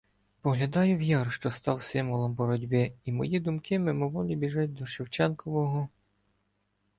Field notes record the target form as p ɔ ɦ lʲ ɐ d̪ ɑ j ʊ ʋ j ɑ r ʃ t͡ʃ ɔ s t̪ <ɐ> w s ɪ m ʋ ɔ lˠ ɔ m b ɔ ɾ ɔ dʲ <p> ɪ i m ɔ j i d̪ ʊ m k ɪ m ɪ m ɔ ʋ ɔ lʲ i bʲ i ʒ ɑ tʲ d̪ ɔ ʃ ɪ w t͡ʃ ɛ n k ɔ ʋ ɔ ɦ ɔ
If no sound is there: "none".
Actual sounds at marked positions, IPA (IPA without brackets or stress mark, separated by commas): ɑ, b